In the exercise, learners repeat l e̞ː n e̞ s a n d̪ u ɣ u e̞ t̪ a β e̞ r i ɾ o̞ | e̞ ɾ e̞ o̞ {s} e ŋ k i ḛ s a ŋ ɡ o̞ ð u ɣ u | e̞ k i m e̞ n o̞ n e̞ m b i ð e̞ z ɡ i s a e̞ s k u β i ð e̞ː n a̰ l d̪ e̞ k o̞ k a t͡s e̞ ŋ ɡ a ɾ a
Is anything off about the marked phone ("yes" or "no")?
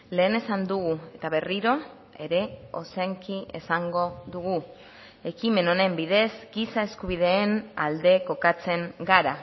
no